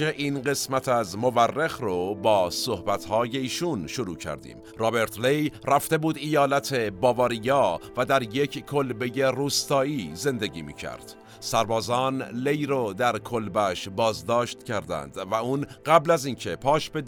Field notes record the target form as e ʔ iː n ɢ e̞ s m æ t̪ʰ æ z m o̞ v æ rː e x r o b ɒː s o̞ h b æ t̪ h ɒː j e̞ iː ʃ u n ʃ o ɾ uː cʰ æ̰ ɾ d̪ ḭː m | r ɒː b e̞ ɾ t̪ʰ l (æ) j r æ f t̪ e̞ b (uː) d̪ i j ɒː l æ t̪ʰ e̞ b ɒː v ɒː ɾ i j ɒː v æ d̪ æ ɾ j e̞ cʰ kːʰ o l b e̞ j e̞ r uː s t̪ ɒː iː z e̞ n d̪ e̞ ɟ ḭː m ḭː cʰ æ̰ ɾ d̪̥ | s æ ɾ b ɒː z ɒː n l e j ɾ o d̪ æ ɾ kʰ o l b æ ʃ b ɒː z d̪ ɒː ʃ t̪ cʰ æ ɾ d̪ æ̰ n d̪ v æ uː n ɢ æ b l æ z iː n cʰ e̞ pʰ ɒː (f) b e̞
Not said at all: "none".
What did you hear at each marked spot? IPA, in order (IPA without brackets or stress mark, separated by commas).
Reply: e, uː, ʃ